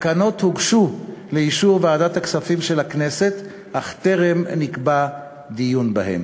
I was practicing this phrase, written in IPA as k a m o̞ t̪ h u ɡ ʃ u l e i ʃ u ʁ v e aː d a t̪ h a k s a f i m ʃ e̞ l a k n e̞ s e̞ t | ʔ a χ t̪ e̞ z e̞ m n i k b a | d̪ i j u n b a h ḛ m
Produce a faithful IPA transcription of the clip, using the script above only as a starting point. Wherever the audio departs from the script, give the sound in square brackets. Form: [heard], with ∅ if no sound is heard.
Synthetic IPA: k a [n] o̞ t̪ h u ɡ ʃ u l e i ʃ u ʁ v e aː d a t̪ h a k s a f i m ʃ e̞ l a k n e̞ s e̞ t | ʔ a χ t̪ e̞ [ʁ] e̞ m n i k b a | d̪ i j u n b a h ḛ m